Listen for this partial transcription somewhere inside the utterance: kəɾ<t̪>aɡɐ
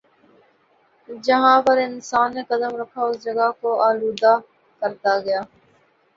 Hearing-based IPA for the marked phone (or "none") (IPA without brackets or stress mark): t̪